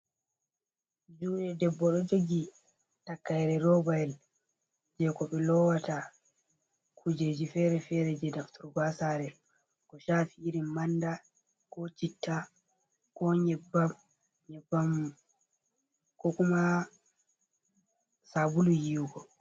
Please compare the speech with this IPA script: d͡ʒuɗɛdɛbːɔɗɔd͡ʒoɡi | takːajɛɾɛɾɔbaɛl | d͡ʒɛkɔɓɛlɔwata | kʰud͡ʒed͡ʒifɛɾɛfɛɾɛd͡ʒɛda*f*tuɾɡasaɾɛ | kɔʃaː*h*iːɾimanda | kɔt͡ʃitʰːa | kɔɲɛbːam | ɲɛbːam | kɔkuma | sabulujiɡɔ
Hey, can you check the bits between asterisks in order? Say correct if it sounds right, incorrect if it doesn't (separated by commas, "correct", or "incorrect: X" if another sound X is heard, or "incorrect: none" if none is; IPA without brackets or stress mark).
correct, incorrect: f